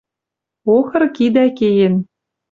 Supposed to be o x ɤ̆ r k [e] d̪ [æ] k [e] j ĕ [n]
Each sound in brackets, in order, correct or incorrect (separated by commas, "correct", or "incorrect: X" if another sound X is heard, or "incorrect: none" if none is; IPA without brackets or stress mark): incorrect: i, correct, correct, correct